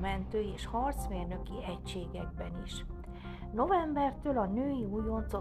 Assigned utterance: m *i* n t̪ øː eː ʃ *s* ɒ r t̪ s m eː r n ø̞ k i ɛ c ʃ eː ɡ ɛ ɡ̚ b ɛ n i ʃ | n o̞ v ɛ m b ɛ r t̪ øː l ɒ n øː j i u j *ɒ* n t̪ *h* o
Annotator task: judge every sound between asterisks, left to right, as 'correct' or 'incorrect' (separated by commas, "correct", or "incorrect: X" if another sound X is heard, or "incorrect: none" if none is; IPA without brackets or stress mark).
incorrect: ɛ, incorrect: h, incorrect: o, incorrect: s